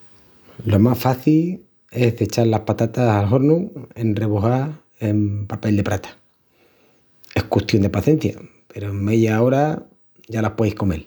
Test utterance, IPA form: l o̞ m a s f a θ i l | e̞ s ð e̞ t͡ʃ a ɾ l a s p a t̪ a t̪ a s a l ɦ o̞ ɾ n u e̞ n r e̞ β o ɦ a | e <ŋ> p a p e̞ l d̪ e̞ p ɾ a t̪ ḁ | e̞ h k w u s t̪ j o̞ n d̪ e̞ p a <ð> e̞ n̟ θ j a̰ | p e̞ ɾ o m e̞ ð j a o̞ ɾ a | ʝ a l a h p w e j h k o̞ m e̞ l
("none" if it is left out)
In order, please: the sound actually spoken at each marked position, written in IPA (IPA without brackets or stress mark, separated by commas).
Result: m, θ